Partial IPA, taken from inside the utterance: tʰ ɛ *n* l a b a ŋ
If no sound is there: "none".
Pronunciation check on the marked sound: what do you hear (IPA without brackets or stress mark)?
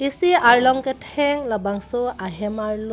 ŋ